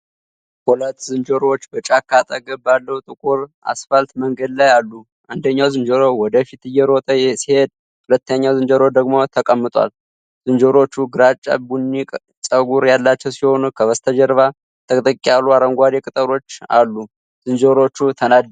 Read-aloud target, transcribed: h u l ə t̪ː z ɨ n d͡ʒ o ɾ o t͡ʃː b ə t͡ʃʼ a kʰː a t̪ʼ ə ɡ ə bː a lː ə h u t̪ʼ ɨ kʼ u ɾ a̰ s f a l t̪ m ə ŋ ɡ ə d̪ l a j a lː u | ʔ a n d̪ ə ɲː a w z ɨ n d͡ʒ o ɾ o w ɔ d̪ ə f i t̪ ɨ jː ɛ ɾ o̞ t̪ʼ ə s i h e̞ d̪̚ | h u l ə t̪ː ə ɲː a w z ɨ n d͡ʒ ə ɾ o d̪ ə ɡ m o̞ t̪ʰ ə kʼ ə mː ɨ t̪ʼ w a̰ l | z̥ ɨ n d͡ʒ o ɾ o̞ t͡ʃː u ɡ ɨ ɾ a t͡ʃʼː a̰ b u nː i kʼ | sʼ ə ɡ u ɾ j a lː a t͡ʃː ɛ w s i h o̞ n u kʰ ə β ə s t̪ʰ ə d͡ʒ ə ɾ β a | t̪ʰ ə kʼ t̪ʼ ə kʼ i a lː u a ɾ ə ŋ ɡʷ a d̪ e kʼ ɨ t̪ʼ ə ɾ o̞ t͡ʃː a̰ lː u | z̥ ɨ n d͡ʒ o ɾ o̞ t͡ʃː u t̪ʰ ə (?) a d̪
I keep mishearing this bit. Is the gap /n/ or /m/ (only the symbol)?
n